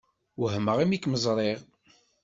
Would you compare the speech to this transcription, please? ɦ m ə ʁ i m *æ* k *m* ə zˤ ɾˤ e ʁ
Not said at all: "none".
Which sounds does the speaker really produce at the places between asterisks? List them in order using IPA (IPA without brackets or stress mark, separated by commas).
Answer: i, m